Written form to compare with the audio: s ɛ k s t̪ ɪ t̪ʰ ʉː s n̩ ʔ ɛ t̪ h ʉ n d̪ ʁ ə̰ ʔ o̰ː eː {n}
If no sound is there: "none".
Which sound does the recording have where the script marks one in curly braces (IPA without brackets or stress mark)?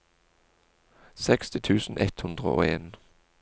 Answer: n